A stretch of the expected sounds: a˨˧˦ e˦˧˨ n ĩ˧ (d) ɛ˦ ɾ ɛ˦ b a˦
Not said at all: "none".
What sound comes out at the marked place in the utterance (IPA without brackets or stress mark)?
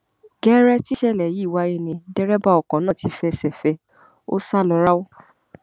d